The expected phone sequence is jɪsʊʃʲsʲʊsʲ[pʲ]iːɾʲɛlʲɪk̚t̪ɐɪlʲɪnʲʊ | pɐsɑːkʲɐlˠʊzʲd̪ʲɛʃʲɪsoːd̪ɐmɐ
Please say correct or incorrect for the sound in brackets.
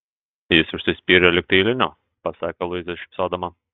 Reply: correct